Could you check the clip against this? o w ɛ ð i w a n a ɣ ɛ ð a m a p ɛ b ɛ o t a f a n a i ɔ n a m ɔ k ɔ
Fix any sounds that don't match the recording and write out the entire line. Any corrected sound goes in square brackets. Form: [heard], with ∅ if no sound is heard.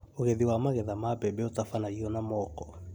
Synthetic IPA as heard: o [ɣ] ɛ ð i w a [m] a ɣ ɛ ð a m a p ɛ b ɛ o t a f a n a i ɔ n a m ɔ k ɔ

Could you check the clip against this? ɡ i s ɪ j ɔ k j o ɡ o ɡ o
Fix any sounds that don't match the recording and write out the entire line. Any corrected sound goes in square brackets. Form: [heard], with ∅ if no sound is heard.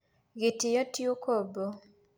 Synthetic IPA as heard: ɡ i [t] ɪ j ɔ [t] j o [k] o [b] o

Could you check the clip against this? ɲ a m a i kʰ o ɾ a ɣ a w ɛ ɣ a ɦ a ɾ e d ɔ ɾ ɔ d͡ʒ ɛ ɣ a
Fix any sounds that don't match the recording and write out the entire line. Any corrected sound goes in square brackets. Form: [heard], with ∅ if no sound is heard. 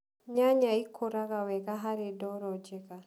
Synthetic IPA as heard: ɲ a [ɲ] a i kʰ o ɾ a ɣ a w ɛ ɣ a ɦ a ɾ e d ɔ ɾ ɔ d͡ʒ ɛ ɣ a

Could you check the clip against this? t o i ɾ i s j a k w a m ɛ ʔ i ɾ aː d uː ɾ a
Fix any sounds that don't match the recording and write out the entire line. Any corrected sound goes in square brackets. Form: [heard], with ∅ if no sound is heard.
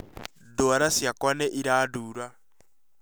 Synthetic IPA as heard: [d] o [a] ɾ [a] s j a k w a [n] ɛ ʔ i ɾ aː d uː ɾ a

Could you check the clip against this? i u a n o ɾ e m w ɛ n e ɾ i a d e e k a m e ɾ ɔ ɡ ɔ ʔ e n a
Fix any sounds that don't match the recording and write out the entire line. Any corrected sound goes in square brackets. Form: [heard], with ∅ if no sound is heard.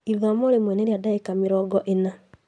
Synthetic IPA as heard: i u a [m] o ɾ e m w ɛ n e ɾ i a d [a] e k a m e ɾ ɔ ɡ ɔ ʔ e n a

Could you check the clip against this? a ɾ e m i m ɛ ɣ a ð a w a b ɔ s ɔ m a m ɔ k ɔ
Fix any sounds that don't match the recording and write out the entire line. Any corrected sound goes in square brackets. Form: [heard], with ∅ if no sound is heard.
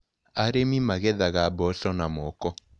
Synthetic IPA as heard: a ɾ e m i m [a] ɣ [ɛ] ð a [ɣ] a b ɔ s ɔ [n] a m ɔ k ɔ

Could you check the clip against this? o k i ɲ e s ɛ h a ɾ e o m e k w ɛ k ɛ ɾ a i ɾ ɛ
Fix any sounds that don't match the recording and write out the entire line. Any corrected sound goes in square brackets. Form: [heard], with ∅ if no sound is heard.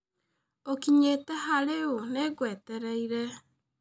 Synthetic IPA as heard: o k i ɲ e [t] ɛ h a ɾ e o [n] e [ɡ] w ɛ [t] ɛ ɾ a i ɾ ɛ

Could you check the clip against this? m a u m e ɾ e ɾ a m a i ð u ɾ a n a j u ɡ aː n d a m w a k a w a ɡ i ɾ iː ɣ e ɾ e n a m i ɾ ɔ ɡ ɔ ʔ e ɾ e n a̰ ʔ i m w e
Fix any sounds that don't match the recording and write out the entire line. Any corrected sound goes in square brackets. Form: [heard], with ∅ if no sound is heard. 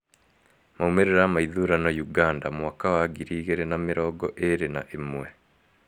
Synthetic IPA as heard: m a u m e ɾ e ɾ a m a i ð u ɾ a n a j u ɡ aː n d a m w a k a w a ɡ i ɾ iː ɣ e ɾ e n a m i ɾ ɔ ɡ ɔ ʔ e ɾ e n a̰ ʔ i m w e

